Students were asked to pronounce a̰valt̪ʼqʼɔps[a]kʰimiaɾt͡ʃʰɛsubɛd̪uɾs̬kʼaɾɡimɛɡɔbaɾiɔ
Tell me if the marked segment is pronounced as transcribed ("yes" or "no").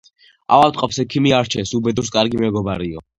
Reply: no